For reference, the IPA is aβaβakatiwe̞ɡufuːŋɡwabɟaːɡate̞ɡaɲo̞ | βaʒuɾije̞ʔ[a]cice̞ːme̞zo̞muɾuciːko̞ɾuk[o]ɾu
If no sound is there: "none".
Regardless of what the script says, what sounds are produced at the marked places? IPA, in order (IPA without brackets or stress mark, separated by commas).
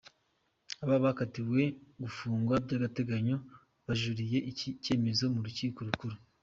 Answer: i, u